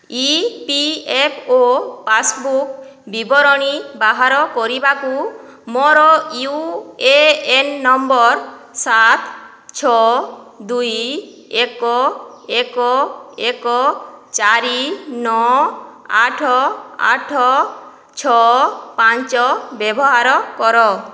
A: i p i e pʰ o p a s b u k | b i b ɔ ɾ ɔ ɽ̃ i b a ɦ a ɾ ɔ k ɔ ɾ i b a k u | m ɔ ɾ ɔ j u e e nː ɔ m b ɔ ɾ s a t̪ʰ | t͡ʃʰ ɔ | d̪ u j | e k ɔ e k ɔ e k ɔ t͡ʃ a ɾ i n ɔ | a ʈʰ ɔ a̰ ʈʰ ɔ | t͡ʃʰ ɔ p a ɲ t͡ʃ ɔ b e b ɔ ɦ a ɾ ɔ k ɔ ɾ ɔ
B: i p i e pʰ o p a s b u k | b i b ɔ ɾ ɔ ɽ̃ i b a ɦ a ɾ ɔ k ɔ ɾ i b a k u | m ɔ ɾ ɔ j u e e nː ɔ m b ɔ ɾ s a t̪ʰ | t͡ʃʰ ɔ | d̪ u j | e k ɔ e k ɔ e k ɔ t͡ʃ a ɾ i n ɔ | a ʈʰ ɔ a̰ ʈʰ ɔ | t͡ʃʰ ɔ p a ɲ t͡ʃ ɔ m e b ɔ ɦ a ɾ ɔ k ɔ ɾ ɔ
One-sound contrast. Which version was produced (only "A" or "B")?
A